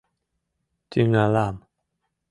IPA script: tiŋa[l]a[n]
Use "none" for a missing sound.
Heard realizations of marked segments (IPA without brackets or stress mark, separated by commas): l, m